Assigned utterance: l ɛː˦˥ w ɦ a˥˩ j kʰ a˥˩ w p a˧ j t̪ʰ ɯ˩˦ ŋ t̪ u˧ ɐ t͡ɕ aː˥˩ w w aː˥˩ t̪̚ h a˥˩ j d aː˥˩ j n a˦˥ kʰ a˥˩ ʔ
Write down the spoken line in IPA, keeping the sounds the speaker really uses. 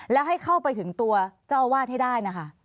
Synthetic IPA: l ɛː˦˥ w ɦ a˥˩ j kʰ a˥˩ w p a˧ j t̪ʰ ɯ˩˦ ŋ t̪ u˧ ɐ t͡ɕ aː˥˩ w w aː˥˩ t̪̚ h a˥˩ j d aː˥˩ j n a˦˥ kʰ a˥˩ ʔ